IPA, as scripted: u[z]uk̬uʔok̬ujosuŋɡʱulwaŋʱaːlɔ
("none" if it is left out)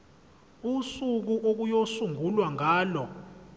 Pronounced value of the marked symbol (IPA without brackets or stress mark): s